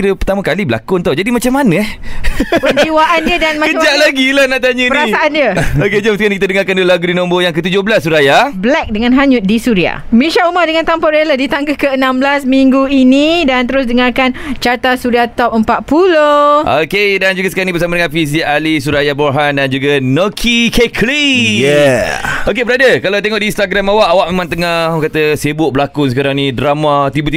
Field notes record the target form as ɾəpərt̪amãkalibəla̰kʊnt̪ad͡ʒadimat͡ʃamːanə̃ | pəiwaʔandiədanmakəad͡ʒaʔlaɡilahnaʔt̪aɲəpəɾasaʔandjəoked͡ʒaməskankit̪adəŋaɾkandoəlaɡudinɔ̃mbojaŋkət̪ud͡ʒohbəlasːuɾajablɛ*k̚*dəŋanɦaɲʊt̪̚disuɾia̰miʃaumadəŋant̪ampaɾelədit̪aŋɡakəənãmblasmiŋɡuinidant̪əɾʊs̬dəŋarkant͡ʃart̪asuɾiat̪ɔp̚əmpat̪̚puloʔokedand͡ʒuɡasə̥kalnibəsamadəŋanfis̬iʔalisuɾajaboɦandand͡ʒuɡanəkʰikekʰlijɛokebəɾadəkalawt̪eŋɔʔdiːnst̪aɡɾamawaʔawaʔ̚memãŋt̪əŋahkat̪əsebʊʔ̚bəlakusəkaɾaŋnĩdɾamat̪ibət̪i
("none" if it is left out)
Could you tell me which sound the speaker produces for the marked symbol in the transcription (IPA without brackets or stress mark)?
k̚